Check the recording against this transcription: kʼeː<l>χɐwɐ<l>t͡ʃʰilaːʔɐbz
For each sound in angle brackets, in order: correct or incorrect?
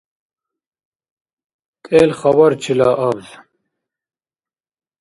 correct, incorrect: ɾ

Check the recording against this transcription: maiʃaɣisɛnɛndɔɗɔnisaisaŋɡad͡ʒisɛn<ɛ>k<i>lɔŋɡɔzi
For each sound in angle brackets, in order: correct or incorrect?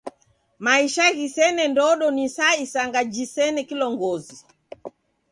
correct, correct

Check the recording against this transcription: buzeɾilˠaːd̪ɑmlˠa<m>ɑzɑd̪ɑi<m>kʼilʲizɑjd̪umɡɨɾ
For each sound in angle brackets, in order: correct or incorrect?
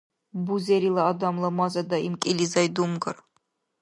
correct, correct

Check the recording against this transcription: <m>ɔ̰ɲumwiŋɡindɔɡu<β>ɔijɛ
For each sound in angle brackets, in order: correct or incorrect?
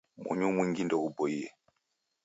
correct, incorrect: b

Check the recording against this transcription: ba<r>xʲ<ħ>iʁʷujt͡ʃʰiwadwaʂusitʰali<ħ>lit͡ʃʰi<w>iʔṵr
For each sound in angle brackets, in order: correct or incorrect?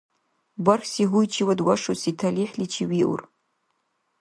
correct, incorrect: s, correct, correct

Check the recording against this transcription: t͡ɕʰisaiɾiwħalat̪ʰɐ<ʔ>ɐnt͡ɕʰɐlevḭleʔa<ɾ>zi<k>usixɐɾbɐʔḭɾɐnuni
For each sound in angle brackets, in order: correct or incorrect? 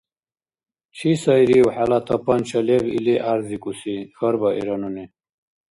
incorrect: p, correct, correct

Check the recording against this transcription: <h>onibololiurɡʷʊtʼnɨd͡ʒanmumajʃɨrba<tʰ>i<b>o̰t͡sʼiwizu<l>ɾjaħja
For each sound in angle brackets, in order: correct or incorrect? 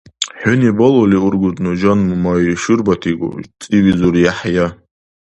incorrect: ħ, correct, incorrect: ɡ, incorrect: none

